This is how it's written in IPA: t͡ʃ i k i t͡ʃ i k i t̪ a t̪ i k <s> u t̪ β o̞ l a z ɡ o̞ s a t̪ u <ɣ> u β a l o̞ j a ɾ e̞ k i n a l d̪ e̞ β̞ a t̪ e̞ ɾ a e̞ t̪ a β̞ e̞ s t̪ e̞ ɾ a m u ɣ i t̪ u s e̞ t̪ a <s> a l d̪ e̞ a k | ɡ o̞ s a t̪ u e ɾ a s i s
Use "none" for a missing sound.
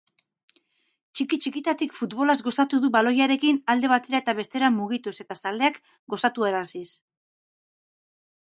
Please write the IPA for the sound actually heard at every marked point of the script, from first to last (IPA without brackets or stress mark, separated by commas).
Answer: f, ð, s